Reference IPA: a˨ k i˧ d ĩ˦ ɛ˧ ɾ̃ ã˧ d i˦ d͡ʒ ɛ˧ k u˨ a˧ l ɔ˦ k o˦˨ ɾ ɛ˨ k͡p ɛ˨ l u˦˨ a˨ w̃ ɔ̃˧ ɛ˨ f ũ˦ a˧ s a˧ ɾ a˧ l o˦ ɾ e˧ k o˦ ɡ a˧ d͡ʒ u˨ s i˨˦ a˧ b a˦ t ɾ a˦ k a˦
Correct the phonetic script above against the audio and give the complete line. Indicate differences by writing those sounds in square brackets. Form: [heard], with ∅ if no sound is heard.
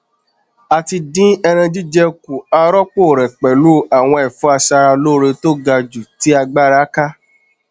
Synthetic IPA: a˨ [t] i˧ d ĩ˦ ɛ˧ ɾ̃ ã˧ [d͡ʒ] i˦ d͡ʒ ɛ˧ k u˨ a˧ [ɾ] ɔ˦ [k͡p] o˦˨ ɾ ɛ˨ k͡p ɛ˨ l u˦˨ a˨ w̃ ɔ̃˧ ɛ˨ f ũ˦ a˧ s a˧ ɾ a˧ l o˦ ɾ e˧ [t] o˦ ɡ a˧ d͡ʒ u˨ [t] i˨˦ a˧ [ɡ͡b] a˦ [∅] ɾ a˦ k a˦